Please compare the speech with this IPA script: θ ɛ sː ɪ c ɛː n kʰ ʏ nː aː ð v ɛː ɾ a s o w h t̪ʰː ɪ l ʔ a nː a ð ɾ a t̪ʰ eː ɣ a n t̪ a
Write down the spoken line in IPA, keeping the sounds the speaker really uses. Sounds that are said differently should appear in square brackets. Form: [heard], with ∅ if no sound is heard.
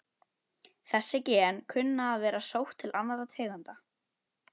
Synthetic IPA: θ ɛ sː ɪ c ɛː n kʰ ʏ nː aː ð v ɛː ɾ a s o w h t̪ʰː ɪ l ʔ a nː a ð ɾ a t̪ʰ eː ɣ a n t̪ a